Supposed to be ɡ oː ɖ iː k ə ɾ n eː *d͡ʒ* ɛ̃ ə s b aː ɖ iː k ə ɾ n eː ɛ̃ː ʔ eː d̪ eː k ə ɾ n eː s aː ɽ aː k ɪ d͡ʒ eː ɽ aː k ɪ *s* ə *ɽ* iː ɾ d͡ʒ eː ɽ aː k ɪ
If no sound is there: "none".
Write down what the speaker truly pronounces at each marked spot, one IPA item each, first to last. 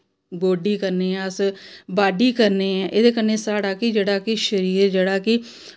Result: none, ʃ, ɾ

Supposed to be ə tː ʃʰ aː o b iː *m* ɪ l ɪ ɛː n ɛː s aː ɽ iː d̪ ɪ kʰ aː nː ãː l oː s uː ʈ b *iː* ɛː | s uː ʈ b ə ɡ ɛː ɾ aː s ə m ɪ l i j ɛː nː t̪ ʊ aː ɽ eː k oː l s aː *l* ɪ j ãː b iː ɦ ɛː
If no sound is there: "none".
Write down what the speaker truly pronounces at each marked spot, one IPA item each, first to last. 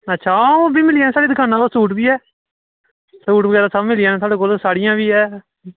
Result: m, iː, ɽ

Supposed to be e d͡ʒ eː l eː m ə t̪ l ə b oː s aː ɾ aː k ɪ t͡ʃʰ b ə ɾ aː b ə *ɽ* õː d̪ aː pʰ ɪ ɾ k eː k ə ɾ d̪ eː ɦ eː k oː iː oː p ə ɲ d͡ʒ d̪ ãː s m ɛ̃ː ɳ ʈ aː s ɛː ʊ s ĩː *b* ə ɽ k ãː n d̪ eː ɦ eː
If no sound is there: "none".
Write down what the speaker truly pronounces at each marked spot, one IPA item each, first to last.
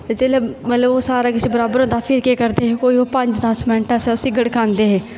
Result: ɾ, ɡ

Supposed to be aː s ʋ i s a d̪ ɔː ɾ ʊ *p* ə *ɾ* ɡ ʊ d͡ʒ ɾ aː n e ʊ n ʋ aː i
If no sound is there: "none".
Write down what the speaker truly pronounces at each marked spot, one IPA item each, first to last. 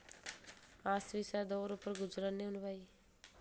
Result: p, ɾ

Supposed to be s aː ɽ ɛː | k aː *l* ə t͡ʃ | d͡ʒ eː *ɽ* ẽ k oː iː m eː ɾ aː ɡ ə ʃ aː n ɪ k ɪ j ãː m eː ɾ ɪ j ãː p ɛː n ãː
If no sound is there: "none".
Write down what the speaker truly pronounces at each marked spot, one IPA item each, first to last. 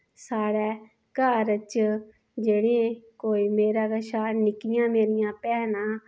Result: ɾ, ɽ

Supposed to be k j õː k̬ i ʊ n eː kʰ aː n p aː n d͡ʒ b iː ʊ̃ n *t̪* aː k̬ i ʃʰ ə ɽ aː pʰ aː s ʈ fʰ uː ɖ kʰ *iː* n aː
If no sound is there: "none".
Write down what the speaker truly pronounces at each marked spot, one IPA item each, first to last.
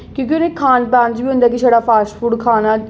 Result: d̪, aː

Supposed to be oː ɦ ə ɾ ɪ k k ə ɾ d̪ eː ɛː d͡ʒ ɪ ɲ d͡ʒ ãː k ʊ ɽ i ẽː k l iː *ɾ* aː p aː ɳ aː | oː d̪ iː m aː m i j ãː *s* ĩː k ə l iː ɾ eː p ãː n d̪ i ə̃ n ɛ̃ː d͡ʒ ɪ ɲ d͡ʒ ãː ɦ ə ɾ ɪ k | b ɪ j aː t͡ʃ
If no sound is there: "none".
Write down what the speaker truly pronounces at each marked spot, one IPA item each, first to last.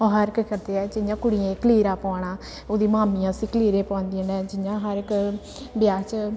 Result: ɾ, s

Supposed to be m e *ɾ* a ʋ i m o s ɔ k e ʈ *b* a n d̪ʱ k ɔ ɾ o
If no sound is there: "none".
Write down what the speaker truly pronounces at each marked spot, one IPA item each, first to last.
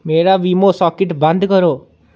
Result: ɾ, b

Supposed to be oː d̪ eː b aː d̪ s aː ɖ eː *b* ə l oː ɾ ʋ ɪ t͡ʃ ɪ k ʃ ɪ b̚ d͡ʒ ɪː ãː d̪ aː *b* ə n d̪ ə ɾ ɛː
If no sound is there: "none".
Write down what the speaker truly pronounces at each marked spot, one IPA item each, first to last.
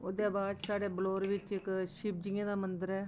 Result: b, m

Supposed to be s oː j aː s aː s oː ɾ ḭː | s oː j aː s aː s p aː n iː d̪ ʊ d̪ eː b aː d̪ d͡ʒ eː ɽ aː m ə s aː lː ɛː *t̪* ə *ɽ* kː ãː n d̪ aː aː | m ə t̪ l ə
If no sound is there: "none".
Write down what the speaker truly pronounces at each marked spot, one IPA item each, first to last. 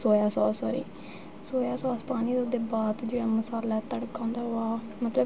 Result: t̪, ɽ

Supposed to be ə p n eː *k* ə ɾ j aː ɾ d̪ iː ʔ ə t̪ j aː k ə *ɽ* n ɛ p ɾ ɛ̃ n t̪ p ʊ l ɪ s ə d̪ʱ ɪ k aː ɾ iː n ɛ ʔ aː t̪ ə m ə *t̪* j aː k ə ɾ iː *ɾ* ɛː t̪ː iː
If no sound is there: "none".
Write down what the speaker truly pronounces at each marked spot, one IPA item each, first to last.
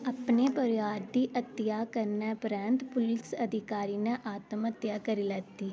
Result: p, ɾ, t̪, l

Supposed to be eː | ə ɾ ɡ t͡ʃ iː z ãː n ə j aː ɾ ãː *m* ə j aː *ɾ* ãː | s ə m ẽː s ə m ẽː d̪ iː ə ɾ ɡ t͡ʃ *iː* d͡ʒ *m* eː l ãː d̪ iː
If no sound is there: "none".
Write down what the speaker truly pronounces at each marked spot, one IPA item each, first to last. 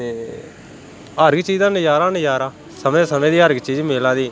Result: n, ɾ, iː, m

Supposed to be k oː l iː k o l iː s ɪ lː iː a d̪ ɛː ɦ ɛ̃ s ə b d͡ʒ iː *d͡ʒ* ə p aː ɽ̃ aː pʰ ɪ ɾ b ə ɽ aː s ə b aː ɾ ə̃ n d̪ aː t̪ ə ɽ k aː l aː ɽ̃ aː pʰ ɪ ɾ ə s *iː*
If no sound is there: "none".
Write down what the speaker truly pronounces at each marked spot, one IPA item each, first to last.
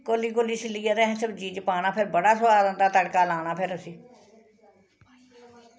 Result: d͡ʒ, iː

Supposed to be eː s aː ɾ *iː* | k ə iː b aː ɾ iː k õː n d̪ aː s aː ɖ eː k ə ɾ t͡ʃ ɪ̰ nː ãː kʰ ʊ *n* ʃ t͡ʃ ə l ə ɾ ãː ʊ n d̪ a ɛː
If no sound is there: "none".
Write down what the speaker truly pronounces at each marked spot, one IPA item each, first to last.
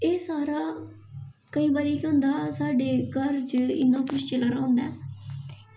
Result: aː, none

